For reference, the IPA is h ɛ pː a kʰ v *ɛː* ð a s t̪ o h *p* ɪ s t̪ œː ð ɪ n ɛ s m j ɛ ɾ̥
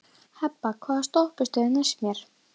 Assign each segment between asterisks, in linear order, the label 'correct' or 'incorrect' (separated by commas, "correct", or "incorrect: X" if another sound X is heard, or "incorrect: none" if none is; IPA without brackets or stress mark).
incorrect: aː, correct